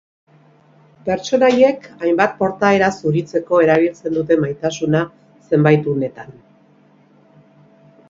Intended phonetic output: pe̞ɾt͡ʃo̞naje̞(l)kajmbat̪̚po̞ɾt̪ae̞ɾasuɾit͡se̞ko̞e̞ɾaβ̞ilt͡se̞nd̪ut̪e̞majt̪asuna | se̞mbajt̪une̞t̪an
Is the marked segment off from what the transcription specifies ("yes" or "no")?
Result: yes